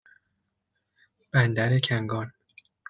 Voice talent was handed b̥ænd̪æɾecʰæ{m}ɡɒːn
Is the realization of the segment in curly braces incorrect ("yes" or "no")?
yes